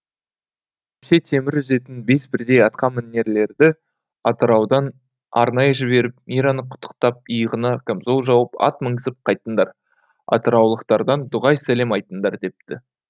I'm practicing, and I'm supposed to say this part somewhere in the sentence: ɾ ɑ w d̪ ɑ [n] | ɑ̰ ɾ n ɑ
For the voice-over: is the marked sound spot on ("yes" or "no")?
yes